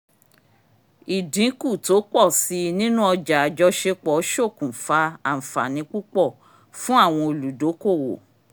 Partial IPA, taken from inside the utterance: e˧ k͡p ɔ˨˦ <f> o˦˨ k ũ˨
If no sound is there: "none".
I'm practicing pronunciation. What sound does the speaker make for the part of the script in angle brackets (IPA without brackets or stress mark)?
ʃ